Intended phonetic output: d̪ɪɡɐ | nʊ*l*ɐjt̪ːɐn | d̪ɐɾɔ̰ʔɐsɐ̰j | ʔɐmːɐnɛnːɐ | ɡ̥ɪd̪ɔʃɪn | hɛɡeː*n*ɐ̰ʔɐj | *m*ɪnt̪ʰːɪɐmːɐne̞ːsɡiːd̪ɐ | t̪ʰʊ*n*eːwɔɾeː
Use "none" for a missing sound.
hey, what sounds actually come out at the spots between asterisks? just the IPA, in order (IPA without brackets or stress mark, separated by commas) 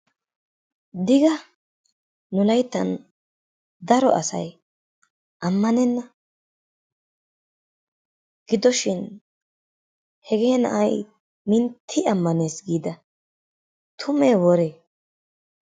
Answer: l, n, m, m